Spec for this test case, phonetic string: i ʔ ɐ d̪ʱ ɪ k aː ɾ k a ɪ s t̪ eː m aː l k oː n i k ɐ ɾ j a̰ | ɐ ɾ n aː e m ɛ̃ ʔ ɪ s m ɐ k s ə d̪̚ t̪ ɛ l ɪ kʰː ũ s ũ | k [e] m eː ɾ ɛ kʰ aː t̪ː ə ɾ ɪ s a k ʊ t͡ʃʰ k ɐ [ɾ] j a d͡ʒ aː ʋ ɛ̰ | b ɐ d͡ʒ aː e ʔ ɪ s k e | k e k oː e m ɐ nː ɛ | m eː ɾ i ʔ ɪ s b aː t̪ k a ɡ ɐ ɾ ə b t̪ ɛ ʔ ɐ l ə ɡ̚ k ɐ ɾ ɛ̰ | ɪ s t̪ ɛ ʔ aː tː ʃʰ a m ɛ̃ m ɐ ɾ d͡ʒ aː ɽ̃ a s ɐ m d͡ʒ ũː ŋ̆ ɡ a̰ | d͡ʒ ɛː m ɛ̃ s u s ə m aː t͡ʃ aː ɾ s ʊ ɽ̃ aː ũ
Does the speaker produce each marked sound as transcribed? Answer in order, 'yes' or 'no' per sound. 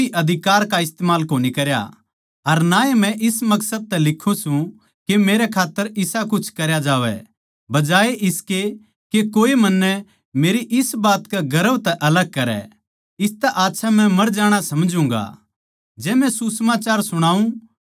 yes, yes

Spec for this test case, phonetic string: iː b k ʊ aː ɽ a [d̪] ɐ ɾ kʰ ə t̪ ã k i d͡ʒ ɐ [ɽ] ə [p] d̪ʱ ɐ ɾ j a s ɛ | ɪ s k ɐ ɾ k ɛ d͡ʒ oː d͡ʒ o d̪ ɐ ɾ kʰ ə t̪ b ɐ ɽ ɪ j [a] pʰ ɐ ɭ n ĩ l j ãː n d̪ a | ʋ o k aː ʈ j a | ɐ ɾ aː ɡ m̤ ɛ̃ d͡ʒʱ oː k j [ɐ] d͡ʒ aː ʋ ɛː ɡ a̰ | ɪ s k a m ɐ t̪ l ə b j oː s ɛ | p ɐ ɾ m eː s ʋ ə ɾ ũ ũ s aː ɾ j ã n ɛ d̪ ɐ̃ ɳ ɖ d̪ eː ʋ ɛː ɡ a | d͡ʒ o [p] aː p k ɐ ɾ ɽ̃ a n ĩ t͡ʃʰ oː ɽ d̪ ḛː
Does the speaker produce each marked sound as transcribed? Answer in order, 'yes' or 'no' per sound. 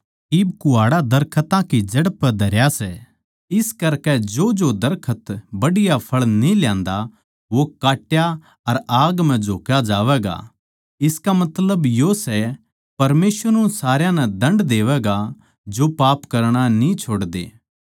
yes, yes, yes, yes, no, yes

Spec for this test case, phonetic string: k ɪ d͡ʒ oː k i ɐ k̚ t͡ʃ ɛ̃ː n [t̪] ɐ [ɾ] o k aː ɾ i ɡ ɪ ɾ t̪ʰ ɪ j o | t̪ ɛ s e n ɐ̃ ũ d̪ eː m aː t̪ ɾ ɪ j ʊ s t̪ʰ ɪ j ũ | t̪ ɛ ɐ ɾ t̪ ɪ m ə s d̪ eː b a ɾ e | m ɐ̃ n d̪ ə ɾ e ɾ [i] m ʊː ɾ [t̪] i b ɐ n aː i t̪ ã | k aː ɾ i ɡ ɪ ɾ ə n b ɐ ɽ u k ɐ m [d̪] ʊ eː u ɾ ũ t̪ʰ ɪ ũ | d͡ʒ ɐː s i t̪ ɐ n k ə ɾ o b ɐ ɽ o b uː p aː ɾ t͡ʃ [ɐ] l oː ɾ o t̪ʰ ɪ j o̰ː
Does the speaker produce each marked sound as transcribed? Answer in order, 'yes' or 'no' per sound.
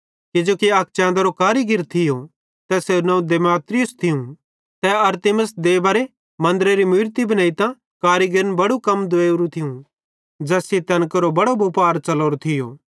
no, yes, yes, yes, yes, yes

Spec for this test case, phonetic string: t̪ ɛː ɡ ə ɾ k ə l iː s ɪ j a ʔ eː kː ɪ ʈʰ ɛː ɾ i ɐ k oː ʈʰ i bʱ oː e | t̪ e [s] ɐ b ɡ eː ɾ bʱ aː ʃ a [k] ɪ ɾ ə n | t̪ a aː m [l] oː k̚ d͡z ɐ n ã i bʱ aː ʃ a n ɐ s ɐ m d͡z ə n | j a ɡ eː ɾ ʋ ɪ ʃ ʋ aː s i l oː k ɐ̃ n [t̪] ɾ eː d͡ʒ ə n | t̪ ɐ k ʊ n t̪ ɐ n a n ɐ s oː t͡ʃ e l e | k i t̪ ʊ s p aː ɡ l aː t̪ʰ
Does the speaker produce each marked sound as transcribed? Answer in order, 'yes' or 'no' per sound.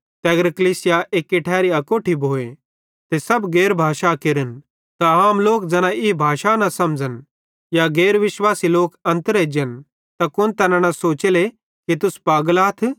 yes, yes, yes, yes

